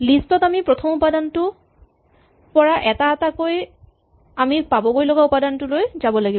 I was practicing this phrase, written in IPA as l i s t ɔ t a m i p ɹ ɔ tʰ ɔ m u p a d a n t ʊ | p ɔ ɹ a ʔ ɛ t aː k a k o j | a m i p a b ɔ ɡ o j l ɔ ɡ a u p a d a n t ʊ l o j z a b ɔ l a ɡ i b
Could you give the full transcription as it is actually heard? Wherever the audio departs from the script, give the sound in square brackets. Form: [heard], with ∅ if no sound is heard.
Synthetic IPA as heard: l i s t ɔ t a m i p ɹ ɔ tʰ ɔ m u p a d a n t ʊ | p ɔ ɹ a ʔ ɛ t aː [t] a k o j | a m i p a b ɔ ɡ o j l ɔ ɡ a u p a d a n t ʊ l o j z a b ɔ l a ɡ i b